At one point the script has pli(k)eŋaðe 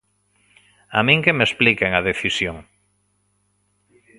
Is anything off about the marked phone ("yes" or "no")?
no